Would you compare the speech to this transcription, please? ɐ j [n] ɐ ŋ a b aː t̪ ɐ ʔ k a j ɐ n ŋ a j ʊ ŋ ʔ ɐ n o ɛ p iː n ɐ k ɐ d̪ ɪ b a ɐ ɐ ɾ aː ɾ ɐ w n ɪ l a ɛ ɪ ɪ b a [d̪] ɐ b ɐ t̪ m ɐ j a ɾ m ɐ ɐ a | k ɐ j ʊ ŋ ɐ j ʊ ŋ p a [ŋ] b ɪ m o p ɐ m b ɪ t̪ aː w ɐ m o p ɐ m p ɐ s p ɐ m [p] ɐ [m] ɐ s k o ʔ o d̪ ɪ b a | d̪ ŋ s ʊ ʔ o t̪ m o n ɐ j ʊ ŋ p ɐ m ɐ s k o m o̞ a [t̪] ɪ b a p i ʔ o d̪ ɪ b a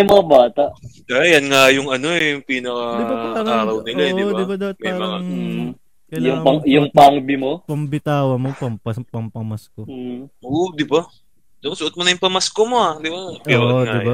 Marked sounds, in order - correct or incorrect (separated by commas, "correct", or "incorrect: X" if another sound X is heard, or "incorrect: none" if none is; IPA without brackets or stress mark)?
incorrect: m, correct, correct, correct, correct, incorrect: d̪